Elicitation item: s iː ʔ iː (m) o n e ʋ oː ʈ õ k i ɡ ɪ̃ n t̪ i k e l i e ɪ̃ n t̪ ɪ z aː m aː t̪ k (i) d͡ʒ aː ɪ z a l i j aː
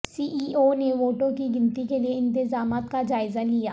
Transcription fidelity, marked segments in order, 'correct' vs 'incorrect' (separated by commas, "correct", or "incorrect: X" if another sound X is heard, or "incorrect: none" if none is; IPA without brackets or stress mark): incorrect: none, incorrect: a